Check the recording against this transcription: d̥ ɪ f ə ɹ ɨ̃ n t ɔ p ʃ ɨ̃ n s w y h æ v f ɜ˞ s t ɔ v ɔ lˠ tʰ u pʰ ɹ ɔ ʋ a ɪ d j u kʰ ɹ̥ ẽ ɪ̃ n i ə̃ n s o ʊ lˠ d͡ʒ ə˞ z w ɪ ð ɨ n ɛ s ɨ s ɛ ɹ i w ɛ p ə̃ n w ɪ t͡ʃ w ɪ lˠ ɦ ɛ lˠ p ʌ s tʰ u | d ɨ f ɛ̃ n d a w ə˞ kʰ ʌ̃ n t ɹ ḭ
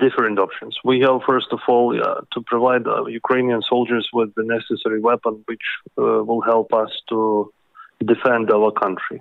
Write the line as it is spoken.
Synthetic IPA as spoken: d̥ ɪ f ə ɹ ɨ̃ n t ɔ p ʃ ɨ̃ n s w i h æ v f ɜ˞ s t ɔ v ɔ lˠ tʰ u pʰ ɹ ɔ v a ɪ d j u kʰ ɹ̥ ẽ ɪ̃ n i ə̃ n s o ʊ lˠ d͡ʒ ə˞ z w ɪ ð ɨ n ɛ s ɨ s ɛ ɹ i w ɛ p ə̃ n w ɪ t͡ʃ w ɪ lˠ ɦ ɛ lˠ p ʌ s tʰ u | d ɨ f ɛ̃ n d a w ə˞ kʰ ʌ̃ n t ɹ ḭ